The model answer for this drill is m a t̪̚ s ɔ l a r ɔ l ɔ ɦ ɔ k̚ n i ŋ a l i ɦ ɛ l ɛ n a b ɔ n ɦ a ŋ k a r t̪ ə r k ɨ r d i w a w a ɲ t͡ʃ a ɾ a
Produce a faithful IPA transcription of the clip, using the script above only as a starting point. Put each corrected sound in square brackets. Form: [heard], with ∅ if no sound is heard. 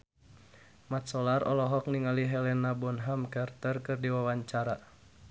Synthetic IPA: m a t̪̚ s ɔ l a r ɔ l ɔ ɦ ɔ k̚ n i ŋ a l i ɦ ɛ l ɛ n a b ɔ n ɦ a [m] k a r t̪ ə r k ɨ r d i w a w a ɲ t͡ʃ a ɾ a